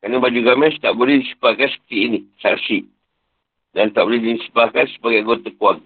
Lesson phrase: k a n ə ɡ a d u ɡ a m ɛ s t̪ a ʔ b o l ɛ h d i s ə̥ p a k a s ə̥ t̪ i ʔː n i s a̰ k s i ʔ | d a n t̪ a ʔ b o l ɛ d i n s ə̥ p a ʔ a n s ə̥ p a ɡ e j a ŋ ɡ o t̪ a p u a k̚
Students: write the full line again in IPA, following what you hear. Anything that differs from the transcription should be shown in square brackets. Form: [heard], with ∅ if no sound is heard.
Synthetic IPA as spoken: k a n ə [b] a [d͡ʒ] u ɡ a m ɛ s t̪ a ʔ b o l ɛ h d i s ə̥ p a k a s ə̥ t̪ i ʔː n i s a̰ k s i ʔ | d a n t̪ a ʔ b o l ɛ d i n s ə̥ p a [k] a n s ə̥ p a ɡ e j a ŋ ɡ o t̪ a [k] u a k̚